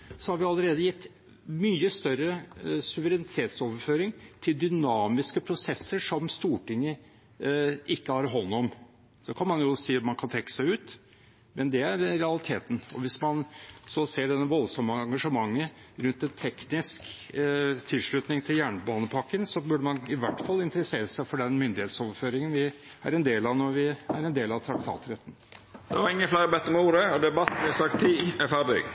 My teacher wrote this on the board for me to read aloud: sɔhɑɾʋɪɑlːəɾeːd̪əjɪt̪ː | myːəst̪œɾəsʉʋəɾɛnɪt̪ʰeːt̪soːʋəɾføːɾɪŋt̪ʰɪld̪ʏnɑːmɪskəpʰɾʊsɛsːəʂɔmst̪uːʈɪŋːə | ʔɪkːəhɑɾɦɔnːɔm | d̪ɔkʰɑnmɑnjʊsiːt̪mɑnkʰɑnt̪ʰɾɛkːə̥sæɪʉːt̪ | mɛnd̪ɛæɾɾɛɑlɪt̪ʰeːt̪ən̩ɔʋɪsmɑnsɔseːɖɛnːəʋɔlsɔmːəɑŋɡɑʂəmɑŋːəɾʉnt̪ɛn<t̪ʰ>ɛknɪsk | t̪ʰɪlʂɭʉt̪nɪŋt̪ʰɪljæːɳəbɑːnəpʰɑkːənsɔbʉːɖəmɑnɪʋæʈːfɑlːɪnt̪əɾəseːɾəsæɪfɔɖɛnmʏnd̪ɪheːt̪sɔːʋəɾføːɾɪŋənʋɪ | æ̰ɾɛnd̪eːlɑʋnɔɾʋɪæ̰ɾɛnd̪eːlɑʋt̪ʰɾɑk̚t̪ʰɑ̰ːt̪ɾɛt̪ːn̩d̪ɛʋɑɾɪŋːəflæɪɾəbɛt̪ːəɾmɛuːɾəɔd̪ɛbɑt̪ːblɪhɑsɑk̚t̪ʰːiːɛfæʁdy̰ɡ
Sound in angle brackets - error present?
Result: no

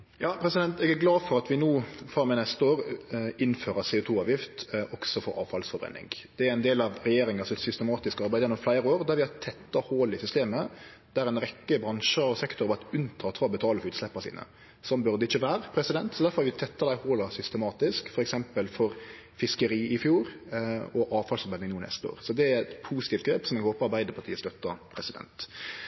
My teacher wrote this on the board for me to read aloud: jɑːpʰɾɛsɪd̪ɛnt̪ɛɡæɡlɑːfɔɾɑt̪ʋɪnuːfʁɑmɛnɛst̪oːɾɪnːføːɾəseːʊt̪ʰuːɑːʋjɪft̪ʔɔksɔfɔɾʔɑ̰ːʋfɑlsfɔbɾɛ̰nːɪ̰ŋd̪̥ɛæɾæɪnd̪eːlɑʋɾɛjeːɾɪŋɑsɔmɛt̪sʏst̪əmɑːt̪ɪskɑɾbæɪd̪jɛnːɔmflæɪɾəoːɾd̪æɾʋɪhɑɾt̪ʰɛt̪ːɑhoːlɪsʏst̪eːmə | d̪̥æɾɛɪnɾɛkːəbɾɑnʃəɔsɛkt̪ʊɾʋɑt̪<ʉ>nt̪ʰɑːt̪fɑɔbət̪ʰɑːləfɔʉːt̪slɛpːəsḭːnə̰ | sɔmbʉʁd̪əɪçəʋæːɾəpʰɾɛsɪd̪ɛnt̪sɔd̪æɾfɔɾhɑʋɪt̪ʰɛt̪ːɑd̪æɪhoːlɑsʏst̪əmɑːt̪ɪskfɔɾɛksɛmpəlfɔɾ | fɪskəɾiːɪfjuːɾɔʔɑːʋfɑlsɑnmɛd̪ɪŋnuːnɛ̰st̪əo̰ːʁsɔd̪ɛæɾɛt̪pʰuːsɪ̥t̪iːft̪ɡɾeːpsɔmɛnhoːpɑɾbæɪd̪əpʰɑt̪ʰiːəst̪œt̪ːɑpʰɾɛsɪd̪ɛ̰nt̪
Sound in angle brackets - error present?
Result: no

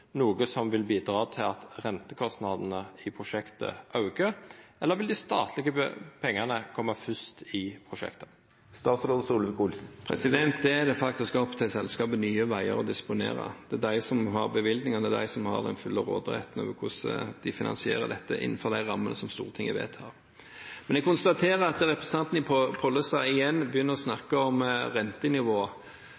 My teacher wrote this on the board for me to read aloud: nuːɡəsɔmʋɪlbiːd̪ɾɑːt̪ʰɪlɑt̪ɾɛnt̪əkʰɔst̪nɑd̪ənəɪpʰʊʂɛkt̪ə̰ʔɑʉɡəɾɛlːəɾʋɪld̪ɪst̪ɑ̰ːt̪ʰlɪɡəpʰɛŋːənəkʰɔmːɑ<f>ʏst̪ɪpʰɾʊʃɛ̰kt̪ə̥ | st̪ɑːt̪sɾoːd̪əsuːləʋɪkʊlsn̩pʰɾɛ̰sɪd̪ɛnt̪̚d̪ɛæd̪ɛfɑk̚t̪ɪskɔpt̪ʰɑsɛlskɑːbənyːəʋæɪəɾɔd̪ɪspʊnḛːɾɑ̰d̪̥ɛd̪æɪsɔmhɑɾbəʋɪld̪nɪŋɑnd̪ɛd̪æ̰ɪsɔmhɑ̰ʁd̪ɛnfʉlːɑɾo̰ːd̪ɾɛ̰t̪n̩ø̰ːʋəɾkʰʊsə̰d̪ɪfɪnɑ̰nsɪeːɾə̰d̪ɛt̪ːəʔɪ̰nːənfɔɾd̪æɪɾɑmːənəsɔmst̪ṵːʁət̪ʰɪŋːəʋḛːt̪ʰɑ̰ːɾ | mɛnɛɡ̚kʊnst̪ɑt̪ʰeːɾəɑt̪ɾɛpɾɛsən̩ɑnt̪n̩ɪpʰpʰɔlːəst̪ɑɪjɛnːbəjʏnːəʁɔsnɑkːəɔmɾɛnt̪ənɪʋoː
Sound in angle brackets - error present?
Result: no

